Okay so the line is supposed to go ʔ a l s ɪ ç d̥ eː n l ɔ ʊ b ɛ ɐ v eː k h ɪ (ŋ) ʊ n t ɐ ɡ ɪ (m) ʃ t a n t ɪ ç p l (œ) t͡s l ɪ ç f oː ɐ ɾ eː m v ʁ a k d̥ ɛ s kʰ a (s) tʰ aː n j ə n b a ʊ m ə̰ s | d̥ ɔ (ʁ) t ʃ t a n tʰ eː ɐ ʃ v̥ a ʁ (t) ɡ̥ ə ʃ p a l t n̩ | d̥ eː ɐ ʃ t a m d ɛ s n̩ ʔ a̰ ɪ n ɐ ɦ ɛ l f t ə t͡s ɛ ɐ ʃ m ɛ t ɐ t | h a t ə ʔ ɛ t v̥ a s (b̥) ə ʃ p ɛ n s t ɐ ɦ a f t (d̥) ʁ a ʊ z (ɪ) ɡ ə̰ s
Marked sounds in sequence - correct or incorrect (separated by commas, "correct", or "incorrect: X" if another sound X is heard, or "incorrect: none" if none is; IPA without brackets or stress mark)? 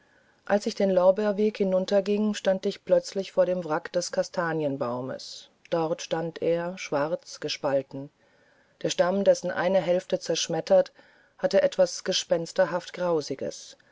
incorrect: n, incorrect: ŋ, correct, correct, correct, incorrect: t͡s, incorrect: ɡ̥, incorrect: ɡ̥, correct